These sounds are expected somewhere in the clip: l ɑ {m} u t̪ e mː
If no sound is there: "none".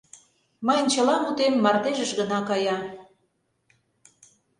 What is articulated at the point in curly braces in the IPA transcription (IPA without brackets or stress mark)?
m